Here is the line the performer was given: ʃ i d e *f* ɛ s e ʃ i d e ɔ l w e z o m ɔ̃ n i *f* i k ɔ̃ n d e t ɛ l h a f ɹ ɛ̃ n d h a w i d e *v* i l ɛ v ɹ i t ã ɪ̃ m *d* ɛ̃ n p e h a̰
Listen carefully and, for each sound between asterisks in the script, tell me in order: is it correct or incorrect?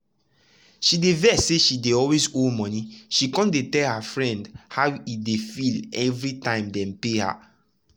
incorrect: v, incorrect: ʃ, incorrect: f, correct

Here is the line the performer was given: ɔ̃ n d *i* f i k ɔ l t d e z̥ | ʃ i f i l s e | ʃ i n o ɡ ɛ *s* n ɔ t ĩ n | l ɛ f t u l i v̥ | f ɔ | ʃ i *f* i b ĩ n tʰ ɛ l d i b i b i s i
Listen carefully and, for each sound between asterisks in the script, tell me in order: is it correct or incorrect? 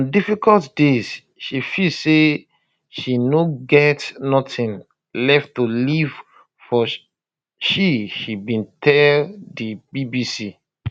correct, incorrect: t, incorrect: ʃ

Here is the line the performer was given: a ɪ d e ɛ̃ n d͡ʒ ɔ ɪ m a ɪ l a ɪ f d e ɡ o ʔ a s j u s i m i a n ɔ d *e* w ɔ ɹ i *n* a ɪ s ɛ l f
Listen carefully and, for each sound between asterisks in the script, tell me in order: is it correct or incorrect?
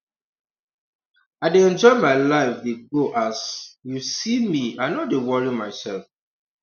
correct, incorrect: m

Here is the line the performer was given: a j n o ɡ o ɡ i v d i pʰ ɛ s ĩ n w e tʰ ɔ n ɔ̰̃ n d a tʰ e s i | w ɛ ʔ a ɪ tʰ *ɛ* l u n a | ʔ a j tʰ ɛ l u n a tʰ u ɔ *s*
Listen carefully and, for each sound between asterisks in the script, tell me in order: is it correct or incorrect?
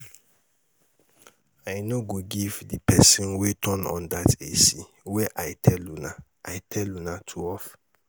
correct, incorrect: f

